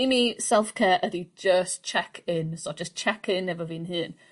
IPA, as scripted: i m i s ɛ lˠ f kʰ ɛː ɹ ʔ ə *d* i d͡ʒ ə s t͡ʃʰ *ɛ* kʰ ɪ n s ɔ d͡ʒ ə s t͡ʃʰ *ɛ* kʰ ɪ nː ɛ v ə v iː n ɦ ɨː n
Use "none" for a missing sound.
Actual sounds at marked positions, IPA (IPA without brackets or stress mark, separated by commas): d, ɛ, ɛ